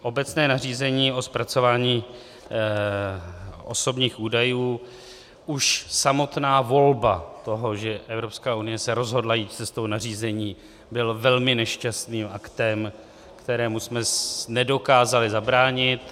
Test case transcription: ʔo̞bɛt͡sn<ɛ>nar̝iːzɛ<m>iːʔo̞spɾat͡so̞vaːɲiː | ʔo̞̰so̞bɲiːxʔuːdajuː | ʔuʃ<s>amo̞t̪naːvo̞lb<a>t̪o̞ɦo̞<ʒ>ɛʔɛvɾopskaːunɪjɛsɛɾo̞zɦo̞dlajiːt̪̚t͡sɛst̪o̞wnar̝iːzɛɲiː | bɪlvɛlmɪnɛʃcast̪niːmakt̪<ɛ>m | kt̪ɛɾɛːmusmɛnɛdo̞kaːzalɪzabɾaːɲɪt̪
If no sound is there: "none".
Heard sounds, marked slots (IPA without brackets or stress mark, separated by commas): ɛː, ɲ, s, a, ʒ, ɛ